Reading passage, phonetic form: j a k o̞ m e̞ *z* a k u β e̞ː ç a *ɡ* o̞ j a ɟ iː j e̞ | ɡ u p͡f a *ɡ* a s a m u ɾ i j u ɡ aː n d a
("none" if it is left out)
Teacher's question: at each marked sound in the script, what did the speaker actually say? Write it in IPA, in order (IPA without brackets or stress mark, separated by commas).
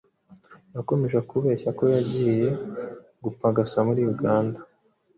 ʒ, k, ɡ